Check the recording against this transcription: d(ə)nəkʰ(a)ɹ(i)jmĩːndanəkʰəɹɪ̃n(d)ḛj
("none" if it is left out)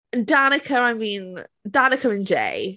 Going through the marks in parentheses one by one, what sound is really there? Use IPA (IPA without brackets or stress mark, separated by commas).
a, ə, a, d͡ʒ